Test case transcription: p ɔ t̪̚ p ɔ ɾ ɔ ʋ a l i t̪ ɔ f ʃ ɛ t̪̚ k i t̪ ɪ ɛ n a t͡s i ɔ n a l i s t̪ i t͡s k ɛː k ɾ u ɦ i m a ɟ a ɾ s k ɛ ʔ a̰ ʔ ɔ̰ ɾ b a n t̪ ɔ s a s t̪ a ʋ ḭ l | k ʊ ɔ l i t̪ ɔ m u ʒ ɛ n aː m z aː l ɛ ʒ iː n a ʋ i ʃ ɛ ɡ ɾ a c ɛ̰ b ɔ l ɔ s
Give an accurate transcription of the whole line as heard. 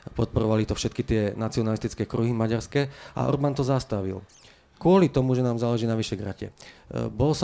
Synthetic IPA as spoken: p ɔ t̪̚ p ɔ ɾ ɔ ʋ a l i t̪ ɔ f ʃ ɛ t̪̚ k i t̪ ɪ ɛ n a t͡s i ɔ n a l i s t̪ i t͡s k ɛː k ɾ u ɦ i m a ɟ a ɾ s k ɛ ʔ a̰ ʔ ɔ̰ ɾ b a n t̪ ɔ z a s t̪ a ʋ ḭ l | k ʊ ɔ l i t̪ ɔ m u ʒ ɛ n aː m z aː l ɛ ʒ iː n a ʋ i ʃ ɛ ɡ ɾ a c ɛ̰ b ɔ l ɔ s